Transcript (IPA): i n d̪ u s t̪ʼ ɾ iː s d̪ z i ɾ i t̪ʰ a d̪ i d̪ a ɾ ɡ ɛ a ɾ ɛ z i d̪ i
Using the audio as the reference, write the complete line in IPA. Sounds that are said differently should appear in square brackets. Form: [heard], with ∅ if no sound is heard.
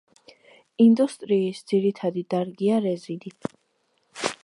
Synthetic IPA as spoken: i n d̪ u s t̪ʼ ɾ iː s d̪ z i ɾ i t̪ʰ a d̪ i d̪ a ɾ ɡ [i] a ɾ ɛ z i d̪ i